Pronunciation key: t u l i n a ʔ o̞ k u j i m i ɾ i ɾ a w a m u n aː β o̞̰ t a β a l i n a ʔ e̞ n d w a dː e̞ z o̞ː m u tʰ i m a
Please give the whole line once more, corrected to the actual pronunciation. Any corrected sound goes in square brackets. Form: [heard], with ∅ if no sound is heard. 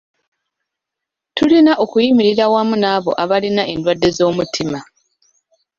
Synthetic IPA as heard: t u l i n a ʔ o̞ k u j i m i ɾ i ɾ a w a m u n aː β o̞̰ [ʔ] a β a l i n a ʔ e̞ n d w a dː e̞ z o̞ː m u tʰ i m a